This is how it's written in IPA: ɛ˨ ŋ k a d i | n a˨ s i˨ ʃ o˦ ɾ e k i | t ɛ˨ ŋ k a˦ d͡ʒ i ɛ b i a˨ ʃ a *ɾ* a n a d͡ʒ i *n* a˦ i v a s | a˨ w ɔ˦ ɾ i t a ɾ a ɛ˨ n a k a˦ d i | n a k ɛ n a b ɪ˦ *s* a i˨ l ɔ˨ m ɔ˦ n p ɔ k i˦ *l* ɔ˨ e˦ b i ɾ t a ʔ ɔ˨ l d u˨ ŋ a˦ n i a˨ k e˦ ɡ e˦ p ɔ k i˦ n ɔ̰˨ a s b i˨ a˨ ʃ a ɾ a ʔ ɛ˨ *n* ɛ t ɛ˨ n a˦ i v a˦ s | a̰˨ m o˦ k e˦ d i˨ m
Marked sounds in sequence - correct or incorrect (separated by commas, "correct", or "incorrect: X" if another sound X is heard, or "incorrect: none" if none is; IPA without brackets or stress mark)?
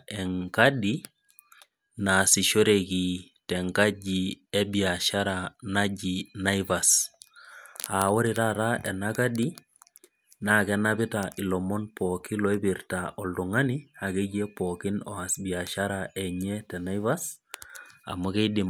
correct, correct, incorrect: t, correct, incorrect: ɲ